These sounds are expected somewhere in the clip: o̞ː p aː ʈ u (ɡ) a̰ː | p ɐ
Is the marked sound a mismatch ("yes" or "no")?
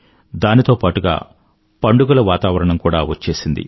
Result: no